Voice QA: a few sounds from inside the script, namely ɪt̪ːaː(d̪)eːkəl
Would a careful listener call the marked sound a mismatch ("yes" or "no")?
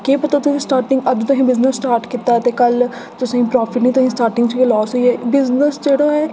yes